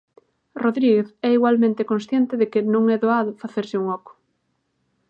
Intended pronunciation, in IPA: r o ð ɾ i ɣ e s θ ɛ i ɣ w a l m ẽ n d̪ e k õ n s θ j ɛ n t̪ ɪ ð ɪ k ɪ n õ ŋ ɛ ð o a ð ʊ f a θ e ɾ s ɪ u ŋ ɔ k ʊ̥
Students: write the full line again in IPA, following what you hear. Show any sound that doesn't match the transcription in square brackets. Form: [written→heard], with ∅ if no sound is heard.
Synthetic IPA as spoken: r o ð ɾ i ɣ e [s→∅] θ ɛ i ɣ w a l m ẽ n [d̪→t̪] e k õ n s θ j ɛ n t̪ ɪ ð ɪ k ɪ n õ ŋ ɛ ð o a ð ʊ f a θ e ɾ s ɪ u ŋ ɔ k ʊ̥